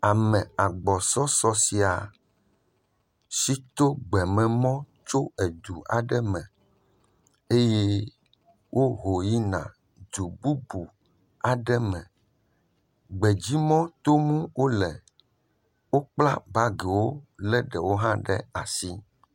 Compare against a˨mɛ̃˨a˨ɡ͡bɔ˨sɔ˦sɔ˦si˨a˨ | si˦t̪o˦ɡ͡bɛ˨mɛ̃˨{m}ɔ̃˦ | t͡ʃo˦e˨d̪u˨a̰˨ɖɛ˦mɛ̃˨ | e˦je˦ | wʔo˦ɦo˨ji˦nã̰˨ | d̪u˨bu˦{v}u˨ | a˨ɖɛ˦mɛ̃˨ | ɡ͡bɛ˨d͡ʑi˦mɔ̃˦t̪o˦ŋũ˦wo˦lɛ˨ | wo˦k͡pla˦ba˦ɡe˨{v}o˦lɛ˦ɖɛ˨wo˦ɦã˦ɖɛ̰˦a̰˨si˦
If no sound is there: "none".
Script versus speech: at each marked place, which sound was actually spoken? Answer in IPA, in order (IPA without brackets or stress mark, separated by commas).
m, b, w